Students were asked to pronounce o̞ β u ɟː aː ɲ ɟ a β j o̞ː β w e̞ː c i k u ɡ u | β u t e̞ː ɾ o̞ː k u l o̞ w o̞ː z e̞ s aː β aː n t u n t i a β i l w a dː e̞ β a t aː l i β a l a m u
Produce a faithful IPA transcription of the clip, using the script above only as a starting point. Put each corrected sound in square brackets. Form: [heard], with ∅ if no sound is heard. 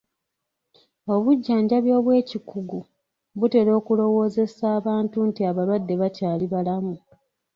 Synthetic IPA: o̞ β u ɟː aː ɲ ɟ a β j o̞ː β w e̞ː c i k u ɡ u | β u t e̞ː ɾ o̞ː k u l o̞ w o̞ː z e̞ s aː β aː n t u n t i a β [a] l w a dː e̞ β a t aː l i β a l a m u

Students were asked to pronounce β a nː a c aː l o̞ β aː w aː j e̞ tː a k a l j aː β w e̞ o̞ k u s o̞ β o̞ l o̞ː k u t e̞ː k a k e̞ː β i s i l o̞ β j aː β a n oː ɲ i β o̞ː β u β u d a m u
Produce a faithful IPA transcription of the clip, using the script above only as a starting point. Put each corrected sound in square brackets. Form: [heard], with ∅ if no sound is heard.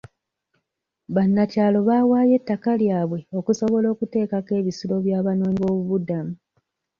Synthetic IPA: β a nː a c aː l o̞ β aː w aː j e̞ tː a k a l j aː β w e̞ o̞ k u s o̞ β o̞ l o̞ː k u t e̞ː k a k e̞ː β i s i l o̞ β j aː β a n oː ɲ i β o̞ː β u β u d a m u

